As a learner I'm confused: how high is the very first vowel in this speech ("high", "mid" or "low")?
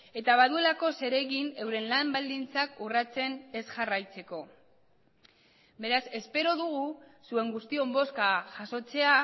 mid